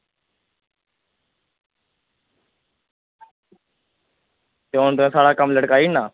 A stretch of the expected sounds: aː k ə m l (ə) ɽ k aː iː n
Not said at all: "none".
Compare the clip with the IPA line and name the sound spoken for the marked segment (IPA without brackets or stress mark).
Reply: ə